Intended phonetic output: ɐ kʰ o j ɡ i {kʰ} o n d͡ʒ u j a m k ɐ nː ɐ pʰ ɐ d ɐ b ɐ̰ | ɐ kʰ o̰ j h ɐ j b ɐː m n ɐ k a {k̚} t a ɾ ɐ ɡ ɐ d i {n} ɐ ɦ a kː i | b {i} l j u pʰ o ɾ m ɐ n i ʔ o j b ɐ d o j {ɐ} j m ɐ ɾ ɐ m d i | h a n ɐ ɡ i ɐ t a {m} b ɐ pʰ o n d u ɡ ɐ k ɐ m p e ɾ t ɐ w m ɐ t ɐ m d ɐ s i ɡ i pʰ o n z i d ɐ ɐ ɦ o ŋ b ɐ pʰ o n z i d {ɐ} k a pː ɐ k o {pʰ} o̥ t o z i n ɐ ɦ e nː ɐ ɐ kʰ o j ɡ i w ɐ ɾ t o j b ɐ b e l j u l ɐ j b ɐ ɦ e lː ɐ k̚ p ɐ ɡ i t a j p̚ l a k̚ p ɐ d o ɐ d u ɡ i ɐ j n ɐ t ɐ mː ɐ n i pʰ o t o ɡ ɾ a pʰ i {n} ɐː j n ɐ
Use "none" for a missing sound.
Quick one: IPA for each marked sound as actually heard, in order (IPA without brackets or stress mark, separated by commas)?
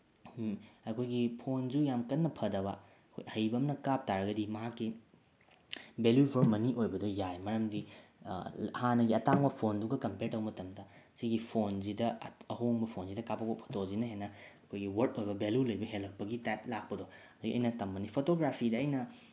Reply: pʰ, p̚, m, e, a, ŋ, ɐ, pʰ, d